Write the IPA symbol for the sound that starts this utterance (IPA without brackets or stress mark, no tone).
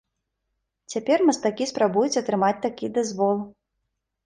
t͡sʲ